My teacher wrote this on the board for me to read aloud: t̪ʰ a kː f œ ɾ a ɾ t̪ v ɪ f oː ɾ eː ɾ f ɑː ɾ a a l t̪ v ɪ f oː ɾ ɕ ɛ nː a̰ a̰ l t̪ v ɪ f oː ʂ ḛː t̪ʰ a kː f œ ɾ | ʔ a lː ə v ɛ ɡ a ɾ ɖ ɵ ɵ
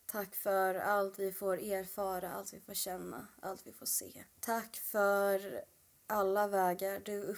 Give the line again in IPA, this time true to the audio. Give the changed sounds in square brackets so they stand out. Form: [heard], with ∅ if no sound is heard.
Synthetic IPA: t̪ʰ a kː f œ ɾ a [l] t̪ v ɪ f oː ɾ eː ɾ f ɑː ɾ a a l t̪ v ɪ f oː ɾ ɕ ɛ nː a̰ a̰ l t̪ v ɪ f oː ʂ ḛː t̪ʰ a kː f œ ɾ | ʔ a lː [a] v [ɛː] ɡ a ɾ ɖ ɵ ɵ